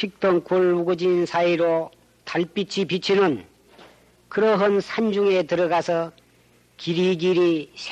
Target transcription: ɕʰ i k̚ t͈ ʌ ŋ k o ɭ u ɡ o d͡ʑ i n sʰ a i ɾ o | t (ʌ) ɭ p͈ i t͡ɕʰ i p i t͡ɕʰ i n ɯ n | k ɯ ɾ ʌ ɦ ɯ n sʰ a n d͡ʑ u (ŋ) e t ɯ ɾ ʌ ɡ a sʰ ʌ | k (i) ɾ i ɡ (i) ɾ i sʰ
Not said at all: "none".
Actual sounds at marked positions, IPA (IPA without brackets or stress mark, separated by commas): a, ŋ, i, i